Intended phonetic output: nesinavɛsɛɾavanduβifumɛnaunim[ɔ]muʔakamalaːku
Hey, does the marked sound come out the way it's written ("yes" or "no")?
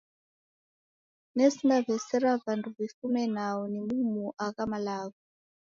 no